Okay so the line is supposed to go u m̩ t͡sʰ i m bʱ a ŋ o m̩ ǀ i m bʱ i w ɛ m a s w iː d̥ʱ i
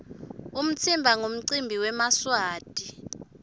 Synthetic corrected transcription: u m̩ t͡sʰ i m bʱ a ŋ o m̩ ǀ i m bʱ i w ɛ m a s w aː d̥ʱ i